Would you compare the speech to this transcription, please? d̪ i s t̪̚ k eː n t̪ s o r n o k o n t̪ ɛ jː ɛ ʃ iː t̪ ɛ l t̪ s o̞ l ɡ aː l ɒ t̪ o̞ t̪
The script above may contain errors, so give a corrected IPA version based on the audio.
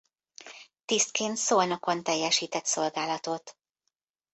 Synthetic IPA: t̪ i s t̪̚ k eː n t̪ s o l n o k o n t̪ ɛ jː ɛ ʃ iː t̪ ɛ t̪ s o̞ l ɡ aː l ɒ t̪ o̞ t̪

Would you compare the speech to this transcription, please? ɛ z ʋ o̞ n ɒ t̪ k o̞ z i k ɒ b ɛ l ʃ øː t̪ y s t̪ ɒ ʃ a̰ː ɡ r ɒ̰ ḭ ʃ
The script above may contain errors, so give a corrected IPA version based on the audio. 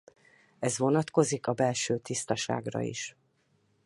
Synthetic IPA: ɛ z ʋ o̞ n ɒ t̪ k o̞ z i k ɒ b ɛ l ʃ øː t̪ i s t̪ ɒ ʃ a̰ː ɡ r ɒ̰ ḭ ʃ

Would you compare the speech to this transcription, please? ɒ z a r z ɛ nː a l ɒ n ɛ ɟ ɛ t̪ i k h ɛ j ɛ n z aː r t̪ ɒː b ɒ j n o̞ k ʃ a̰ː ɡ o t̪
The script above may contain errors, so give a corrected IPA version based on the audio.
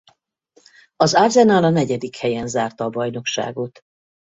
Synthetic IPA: ɒ z a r z ɛ n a l ɒ n ɛ ɟ ɛ d̪ i k h ɛ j ɛ n z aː r t̪ ɒː b ɒ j n o̞ k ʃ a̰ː ɡ o t̪

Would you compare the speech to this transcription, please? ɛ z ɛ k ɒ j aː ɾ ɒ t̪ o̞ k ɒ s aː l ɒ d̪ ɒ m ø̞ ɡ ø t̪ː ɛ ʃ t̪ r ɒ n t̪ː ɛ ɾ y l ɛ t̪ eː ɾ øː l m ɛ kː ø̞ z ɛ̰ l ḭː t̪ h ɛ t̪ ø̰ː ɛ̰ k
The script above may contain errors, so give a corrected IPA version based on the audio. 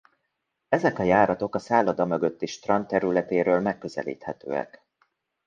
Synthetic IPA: ɛ z ɛ k ɒ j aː ɾ ɒ t̪ o̞ k ɒ s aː l ɒ d̪ ɒ m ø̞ ɡ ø t̪ː i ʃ t̪ r ɒ n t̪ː ɛ ɾ y l ɛ t̪ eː ɾ øː l m ɛ kː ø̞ z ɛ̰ l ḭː t̪ h ɛ t̪ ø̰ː ɛ̰ k

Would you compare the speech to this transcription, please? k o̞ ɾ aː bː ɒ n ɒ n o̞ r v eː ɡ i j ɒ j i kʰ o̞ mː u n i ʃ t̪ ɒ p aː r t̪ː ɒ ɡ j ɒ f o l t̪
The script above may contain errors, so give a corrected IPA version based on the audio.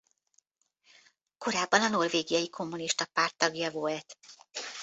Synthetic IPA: k o̞ ɾ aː bː ɒ n ɒ n o̞ r v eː ɡ i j ɒ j i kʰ o̞ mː u n i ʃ t̪ ɒ p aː r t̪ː ɒ ɡ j ɒ v o l t̪

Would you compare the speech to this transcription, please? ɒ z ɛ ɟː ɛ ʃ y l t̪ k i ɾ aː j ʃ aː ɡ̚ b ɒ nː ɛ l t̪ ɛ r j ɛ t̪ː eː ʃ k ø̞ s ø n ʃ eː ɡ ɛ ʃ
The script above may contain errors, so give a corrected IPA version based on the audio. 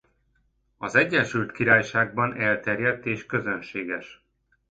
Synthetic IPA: ɒ z ɛ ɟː ɛ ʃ y l t̪ k i ɾ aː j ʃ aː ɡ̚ b ɒ n ɛ l t̪ ɛ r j ɛ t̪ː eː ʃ k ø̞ z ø n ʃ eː ɡ ɛ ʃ

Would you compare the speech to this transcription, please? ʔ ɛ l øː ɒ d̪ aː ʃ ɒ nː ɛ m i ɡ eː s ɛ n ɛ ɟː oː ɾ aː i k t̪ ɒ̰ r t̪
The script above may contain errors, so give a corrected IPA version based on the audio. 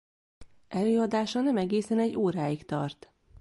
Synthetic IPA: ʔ ɛ l øː ɒ d̪ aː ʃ ɒ n ɛ m ɛ ɡ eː s ɛ n ɛ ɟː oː ɾ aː i k t̪ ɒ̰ r t̪

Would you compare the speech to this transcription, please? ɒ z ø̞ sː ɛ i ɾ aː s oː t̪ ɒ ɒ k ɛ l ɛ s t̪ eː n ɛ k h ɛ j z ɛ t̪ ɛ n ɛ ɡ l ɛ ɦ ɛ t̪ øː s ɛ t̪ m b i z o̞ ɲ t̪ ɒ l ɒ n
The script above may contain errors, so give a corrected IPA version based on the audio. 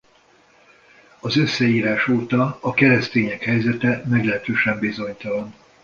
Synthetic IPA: ɒ z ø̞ sː ɛ iː ɾ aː ʃ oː t̪ ɒ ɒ k ɛ ɾ ɛ s t̪ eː ɲ ɛ k h ɛ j z ɛ t̪ ɛ m ɛ ɡ l ɛ ɦ ɛ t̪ øː ʃ ɛ m b i z o̞ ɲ t̪ ɒ l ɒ n

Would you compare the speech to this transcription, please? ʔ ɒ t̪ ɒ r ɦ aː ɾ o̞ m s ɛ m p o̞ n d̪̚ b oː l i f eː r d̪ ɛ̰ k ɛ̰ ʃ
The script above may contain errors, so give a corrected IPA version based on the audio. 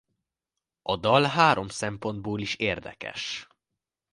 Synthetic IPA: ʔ ɒ d̪ ɒ l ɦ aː ɾ o̞ m s ɛ m p o̞ n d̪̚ b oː l i ʃ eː r d̪ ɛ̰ k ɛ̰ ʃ

